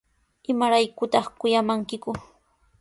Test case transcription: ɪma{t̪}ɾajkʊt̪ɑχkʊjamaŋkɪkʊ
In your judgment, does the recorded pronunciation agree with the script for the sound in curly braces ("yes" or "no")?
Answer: no